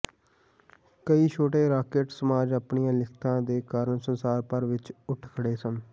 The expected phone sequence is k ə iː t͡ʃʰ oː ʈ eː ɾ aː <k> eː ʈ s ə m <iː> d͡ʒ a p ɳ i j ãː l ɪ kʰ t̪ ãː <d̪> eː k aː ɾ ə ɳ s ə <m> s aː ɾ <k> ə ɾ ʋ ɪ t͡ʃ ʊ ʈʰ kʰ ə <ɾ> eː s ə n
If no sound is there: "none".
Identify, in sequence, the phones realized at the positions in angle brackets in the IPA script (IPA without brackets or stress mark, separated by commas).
k, aː, d̪, n, p, ɽ